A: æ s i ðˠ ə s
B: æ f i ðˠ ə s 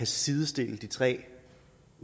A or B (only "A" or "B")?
A